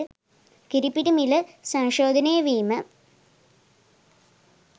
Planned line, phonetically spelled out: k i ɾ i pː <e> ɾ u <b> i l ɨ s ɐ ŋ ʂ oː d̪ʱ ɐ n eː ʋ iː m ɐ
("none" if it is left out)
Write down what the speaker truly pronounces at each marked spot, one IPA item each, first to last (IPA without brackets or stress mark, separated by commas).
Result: i, m